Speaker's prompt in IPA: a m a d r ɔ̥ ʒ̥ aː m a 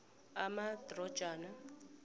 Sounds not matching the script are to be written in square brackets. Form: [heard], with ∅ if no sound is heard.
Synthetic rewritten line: a m a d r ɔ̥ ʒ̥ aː [n] a